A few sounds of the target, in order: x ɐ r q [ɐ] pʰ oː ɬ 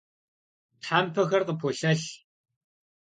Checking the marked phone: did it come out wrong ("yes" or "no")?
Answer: yes